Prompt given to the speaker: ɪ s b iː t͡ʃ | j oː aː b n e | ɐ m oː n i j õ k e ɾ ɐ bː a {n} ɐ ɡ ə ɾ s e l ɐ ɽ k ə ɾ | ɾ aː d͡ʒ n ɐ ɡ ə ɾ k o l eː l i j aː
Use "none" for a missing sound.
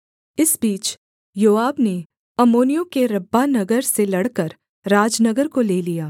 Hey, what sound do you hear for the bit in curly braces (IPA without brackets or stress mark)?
n